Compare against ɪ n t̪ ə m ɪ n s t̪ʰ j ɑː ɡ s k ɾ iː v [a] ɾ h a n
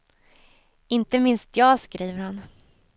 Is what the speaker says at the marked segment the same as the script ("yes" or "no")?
no